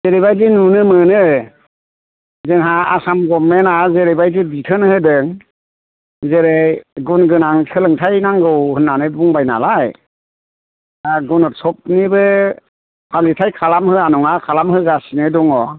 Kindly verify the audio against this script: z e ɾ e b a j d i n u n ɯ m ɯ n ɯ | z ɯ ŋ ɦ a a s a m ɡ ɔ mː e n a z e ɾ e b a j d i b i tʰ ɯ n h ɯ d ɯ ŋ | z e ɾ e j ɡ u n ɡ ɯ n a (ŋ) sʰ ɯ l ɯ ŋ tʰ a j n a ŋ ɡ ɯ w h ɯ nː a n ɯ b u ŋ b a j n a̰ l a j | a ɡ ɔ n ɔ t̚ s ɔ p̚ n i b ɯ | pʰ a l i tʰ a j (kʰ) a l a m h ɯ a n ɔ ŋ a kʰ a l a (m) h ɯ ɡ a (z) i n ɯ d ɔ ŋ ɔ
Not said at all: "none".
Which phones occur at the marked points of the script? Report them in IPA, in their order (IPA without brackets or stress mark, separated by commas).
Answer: ŋ, kʰ, m, s